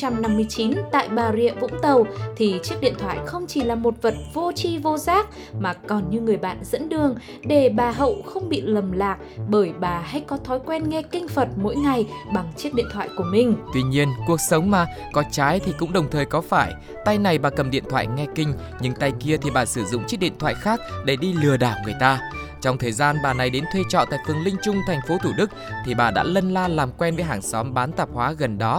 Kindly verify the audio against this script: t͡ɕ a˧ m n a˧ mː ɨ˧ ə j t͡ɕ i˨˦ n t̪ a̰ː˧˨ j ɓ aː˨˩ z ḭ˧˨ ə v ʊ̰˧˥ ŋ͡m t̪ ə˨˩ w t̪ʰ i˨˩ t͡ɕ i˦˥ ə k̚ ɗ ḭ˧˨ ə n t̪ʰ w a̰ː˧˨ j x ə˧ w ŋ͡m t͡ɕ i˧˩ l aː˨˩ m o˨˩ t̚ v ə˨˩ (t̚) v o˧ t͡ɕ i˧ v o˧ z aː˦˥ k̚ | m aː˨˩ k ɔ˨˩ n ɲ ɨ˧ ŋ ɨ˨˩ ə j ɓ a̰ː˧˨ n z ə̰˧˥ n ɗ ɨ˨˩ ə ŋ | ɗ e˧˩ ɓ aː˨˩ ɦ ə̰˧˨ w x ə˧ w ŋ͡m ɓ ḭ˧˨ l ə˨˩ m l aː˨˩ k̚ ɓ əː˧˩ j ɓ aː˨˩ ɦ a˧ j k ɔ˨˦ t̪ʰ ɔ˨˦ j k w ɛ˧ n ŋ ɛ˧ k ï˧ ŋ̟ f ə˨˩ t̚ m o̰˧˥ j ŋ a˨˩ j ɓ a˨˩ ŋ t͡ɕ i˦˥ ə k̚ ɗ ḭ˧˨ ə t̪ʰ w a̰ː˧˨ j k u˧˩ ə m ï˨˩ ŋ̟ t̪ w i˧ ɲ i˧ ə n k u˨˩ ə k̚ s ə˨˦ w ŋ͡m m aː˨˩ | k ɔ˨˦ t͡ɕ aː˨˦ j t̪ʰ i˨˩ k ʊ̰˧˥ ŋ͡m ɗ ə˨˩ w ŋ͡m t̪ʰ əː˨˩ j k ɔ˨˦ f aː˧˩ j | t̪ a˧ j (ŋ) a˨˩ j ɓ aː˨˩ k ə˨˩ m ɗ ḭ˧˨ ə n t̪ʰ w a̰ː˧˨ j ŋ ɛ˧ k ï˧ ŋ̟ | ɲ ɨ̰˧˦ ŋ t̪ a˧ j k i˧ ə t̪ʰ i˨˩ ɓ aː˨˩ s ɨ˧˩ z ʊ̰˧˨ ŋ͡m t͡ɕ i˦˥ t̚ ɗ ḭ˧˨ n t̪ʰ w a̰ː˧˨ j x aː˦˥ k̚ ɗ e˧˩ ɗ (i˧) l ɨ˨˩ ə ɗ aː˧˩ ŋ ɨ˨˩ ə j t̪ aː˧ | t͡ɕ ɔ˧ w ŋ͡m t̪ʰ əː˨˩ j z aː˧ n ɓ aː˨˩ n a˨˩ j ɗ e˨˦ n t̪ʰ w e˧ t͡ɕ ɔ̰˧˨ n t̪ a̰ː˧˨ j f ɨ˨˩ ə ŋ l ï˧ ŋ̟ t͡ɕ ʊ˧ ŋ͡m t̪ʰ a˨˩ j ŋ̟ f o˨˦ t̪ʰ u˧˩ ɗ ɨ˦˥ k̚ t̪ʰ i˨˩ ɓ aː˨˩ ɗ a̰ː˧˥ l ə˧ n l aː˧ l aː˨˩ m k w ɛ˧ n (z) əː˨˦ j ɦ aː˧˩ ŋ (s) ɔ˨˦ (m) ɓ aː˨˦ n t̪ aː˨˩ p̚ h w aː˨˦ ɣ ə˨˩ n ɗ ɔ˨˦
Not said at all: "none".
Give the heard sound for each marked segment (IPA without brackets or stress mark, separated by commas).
t̚, n, i˧, v, s, m